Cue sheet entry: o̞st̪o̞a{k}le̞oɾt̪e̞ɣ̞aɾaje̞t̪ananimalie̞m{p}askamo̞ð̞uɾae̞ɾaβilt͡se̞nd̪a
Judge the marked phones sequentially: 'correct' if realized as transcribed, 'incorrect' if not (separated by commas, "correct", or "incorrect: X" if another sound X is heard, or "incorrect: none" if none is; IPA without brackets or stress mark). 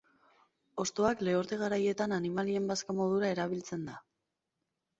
correct, incorrect: b